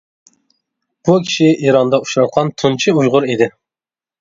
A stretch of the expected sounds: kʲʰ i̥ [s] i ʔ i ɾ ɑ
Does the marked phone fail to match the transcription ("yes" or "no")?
yes